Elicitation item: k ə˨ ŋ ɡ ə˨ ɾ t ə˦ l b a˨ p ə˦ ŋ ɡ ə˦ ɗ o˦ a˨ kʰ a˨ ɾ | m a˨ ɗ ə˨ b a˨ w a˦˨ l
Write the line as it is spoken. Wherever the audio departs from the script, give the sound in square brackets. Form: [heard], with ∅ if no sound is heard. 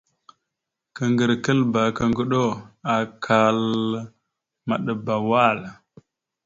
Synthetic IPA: k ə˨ ŋ ɡ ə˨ ɾ [k] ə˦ l b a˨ [k] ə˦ ŋ ɡ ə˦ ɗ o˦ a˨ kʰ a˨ [l] | m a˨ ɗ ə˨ b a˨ w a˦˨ l